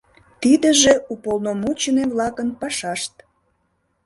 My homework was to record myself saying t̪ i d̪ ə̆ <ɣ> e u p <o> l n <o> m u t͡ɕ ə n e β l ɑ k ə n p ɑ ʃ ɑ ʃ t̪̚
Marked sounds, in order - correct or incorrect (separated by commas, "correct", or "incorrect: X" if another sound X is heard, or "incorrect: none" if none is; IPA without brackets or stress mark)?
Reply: incorrect: ʒ, correct, correct